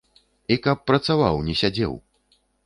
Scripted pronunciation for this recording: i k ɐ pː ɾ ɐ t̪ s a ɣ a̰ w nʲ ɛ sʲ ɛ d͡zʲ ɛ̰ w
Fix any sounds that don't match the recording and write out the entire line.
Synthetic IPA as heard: i k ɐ pː ɾ ɐ t̪ s a v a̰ w nʲ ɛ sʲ a d͡zʲ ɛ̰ w